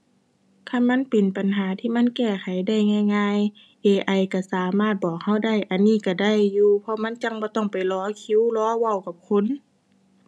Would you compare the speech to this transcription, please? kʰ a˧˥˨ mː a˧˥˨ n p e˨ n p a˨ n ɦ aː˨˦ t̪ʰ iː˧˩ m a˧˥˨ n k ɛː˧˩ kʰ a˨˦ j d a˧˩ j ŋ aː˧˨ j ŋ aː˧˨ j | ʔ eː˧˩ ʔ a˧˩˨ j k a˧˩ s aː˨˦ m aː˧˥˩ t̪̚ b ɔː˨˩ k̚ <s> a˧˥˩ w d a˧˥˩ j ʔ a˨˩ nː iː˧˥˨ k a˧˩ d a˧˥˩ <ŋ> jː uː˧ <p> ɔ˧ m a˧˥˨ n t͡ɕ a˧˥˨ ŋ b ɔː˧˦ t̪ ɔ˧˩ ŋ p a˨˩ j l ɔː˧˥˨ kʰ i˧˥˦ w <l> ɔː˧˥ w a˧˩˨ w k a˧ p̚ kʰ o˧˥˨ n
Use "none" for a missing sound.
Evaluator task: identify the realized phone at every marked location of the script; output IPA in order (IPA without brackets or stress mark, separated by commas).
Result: h, none, pʰ, l